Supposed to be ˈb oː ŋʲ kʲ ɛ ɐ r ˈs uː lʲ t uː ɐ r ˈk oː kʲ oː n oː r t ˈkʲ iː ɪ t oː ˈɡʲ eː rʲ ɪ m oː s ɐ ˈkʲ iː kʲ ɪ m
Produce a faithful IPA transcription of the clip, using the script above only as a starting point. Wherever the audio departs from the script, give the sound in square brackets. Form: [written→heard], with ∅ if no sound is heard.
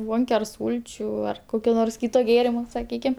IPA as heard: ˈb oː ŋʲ kʲ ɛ ɐ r ˈs uː lʲ [t→t͡ʃʲ] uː ɐ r ˈk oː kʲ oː n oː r [t→s] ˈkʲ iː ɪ t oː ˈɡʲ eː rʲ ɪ m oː s ɐ ˈkʲ iː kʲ ɪ m

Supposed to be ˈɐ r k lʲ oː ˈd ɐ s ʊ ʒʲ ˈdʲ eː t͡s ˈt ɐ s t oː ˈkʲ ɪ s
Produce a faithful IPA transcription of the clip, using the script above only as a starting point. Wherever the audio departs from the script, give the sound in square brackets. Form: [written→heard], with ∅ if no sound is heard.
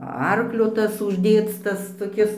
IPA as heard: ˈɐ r k lʲ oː [ˈd→ˈt] ɐ s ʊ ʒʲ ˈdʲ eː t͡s ˈt ɐ s t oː ˈkʲ ɪ s

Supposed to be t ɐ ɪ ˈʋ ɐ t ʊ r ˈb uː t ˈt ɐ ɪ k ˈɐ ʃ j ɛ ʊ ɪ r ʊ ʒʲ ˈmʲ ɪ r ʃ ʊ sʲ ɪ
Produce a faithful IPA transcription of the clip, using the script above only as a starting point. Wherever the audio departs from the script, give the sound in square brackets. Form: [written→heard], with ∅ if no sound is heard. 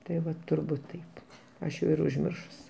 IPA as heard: t ɐ ɪ ˈʋ ɐ t ʊ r ˈb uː t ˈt ɐ ɪ [k→p] ˈɐ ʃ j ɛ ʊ ɪ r ʊ ʒʲ ˈmʲ ɪ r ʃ ʊ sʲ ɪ

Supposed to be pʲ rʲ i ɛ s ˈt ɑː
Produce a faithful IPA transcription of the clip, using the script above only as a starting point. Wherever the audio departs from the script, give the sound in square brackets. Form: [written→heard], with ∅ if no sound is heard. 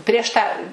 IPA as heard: pʲ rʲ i ɛ [s→ʃ] ˈt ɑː

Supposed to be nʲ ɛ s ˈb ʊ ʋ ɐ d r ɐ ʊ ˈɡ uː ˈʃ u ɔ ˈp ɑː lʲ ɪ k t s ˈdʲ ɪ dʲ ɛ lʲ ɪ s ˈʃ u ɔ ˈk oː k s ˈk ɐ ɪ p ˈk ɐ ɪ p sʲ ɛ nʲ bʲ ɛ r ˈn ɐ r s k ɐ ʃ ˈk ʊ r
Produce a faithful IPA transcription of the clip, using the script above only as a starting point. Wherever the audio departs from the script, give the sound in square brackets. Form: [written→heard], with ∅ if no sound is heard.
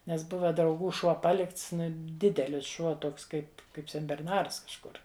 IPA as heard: nʲ ɛ s ˈb ʊ ʋ ɐ d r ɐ ʊ ˈɡ uː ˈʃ u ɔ ˈp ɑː lʲ ɪ k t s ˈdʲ ɪ dʲ ɛ lʲ ɪ s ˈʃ u ɔ [ˈk→ˈt] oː k s ˈk ɐ ɪ p ˈk ɐ ɪ p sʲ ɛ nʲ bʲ ɛ r ˈn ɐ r s k ɐ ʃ ˈk ʊ r

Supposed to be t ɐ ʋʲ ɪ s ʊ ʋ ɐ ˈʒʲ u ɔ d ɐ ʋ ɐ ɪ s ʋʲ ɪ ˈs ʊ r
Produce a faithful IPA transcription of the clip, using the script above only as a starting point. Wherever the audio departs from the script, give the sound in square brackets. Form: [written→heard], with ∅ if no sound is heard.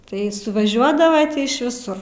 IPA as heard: t ɐ [ʋʲ→∅] ɪ s ʊ ʋ ɐ ˈʒʲ u ɔ d ɐ ʋ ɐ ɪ [s→ʃ] ʋʲ ɪ ˈs ʊ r

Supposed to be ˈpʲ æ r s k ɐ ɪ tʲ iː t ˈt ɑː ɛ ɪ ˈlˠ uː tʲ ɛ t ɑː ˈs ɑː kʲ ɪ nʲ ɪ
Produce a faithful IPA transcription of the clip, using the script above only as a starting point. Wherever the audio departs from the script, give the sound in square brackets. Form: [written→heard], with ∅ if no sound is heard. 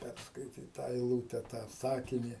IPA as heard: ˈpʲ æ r s k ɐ ɪ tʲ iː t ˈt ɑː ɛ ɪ ˈlˠ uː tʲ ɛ t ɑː ˈs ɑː kʲ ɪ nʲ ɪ

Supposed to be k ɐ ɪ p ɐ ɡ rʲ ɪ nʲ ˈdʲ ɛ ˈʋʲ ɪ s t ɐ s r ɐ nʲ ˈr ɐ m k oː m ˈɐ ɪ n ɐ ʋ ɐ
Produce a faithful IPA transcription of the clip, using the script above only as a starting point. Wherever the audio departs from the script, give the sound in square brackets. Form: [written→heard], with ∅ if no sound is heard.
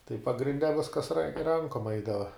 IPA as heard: [k→t] ɐ ɪ p ɐ ɡ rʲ ɪ nʲ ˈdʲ ɛ ˈʋʲ ɪ s [t→k] ɐ s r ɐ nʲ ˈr ɐ [m→ŋ] k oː m ˈɐ ɪ [n→d] ɐ ʋ ɐ

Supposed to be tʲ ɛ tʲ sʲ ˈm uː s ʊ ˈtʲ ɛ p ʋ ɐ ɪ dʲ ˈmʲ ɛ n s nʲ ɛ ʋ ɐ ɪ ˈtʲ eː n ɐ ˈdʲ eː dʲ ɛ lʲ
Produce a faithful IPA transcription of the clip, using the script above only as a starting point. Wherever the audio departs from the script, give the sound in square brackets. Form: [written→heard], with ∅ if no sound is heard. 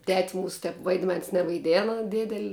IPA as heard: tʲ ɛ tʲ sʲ ˈm uː s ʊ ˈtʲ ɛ p ʋ ɐ ɪ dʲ ˈmʲ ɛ n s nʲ ɛ ʋ ɐ ɪ [ˈtʲ→ˈdʲ] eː n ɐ ˈdʲ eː dʲ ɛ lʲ

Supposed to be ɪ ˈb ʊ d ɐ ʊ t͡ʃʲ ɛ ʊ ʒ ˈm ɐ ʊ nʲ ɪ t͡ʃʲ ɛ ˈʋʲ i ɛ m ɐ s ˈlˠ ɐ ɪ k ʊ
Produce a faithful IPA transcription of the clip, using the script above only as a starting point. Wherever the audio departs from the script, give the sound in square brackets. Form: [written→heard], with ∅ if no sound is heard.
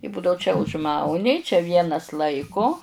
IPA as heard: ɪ ˈb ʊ d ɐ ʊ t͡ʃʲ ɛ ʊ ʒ ˈm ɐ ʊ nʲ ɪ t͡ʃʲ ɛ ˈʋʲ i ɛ [m→n] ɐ s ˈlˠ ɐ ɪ k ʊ

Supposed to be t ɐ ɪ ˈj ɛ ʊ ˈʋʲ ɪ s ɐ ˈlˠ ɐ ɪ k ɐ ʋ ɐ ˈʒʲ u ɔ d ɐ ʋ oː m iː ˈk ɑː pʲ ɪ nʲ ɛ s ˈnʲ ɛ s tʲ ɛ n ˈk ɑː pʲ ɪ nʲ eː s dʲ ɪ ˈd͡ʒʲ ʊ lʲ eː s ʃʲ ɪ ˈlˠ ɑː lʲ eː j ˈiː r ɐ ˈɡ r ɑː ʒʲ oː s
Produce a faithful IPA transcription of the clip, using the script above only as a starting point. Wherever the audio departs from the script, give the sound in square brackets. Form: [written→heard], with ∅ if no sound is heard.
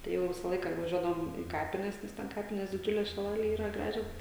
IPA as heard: t ɐ ɪ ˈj ɛ ʊ ˈʋʲ ɪ s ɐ ˈlˠ ɐ ɪ k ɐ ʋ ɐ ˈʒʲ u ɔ d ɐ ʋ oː m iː ˈk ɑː pʲ ɪ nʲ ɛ s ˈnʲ ɛ s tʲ ɛ n ˈk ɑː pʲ ɪ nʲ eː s dʲ ɪ ˈd͡ʒʲ ʊ lʲ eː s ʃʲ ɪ ˈlˠ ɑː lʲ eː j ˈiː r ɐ ˈɡ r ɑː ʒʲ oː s

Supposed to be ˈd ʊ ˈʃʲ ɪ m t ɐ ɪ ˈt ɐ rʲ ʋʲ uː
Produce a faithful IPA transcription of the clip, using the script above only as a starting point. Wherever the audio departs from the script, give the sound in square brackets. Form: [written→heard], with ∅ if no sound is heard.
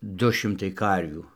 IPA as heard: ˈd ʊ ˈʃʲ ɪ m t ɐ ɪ [ˈt→ˈk] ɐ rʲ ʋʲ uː

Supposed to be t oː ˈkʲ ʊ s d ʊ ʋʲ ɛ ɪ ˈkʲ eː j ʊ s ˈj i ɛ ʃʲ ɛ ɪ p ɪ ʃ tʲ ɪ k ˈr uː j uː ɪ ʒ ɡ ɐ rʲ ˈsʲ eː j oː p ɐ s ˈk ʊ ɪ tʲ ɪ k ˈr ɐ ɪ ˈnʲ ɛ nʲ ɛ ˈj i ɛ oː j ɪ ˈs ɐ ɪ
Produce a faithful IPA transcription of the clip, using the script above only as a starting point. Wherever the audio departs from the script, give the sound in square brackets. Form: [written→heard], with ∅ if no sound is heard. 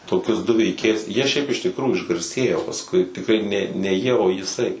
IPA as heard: t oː ˈkʲ ʊ s d ʊ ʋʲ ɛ ɪ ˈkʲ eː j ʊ s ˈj i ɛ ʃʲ ɛ ɪ p ɪ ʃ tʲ ɪ k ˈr uː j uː ɪ ʒ ɡ ɐ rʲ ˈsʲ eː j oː p ɐ s ˈk ʊ ɪ tʲ ɪ k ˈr ɐ ɪ ˈnʲ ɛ nʲ ɛ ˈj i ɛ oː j ɪ ˈs ɐ ɪ

